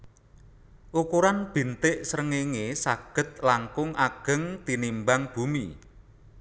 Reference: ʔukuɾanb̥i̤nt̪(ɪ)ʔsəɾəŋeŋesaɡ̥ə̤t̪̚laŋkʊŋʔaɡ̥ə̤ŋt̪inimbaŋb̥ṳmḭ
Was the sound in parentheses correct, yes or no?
yes